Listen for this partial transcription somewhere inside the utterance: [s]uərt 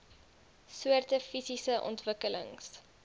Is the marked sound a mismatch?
no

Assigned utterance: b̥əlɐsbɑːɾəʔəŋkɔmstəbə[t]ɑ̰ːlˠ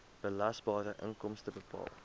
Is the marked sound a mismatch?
yes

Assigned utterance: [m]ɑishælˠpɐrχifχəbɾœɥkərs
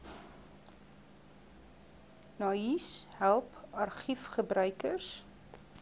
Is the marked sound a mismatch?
yes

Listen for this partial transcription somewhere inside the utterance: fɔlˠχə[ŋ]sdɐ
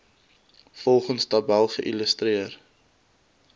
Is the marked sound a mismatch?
yes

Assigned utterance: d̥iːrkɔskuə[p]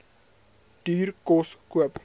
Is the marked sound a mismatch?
no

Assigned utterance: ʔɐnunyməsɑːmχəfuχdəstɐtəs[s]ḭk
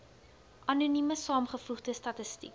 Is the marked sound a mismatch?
yes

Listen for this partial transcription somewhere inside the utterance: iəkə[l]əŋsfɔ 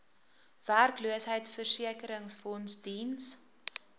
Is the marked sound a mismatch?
yes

